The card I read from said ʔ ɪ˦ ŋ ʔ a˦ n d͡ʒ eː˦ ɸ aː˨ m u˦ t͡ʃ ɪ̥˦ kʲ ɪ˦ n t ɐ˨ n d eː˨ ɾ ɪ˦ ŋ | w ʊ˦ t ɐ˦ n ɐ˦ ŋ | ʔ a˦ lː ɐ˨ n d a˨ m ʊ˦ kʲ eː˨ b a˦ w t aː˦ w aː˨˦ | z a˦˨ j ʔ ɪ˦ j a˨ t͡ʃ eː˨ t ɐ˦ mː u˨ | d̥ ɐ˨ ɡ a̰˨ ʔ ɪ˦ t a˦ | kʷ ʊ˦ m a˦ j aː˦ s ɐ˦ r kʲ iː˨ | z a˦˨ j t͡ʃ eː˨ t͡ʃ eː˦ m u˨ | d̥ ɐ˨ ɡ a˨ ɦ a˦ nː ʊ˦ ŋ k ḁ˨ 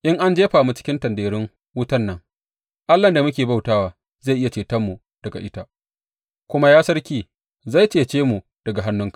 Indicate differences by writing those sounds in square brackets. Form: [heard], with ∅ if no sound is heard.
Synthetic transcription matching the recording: ʔ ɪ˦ ŋ ʔ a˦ n d͡ʒ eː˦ ɸ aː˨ m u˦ t͡ʃ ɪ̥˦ kʲ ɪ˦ n t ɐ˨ n d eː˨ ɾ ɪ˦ ŋ | w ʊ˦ t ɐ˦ [nː] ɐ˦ ŋ | ʔ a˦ lː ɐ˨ n d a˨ m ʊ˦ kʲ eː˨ b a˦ w t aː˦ w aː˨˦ | z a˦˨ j ʔ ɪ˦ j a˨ t͡ʃ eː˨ t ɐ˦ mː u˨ | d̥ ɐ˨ ɡ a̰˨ ʔ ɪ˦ t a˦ | kʷ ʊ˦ m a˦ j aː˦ s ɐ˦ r kʲ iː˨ | z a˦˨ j t͡ʃ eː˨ t͡ʃ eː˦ m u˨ | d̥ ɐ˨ ɡ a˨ ɦ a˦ nː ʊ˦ ŋ k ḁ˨